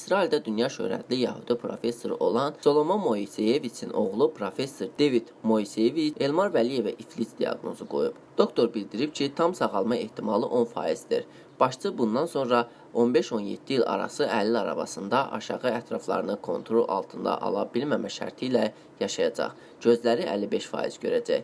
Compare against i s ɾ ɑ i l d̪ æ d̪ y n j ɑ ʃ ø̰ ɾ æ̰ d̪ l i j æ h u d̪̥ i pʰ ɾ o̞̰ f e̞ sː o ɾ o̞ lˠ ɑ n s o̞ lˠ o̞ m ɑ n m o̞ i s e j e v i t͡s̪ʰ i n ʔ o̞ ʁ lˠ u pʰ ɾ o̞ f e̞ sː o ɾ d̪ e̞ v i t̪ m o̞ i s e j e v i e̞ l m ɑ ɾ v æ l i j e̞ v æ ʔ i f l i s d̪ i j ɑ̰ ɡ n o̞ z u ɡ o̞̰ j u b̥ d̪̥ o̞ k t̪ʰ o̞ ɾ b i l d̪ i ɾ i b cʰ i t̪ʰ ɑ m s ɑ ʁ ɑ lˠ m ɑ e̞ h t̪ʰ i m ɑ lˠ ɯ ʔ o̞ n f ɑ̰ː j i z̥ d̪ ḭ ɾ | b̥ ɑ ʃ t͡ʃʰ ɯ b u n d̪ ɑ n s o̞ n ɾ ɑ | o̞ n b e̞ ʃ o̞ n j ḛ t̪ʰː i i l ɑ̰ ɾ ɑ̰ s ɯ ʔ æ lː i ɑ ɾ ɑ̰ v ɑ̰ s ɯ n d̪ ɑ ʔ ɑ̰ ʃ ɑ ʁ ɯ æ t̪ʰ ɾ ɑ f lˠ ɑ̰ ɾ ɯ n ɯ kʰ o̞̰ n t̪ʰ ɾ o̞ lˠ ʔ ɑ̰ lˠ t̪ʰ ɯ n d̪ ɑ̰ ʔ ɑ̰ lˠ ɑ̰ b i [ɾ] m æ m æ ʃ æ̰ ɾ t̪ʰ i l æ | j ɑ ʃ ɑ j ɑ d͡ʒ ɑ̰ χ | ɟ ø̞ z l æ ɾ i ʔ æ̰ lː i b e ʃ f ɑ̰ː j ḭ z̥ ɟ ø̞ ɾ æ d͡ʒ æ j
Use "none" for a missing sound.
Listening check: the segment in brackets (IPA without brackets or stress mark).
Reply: l